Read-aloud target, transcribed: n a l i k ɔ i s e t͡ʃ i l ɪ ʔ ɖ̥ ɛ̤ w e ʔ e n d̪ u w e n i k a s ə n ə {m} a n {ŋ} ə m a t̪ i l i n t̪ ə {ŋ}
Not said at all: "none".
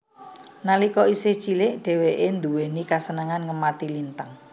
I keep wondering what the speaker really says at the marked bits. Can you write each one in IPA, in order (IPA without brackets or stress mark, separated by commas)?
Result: ŋ, ŋ, ŋ